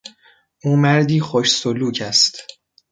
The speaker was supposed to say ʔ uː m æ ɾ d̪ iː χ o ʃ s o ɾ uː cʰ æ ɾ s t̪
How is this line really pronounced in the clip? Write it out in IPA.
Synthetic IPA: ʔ uː m æ ɾ d̪ iː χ o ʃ s o l uː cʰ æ s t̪